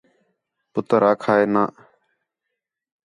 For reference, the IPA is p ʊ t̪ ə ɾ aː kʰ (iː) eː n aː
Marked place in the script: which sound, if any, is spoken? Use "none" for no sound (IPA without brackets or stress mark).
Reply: aː